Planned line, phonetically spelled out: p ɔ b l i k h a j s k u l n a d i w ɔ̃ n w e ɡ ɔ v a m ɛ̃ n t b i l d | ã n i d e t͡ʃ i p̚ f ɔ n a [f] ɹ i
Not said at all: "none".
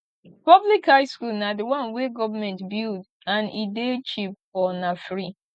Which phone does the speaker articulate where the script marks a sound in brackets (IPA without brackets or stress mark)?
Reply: f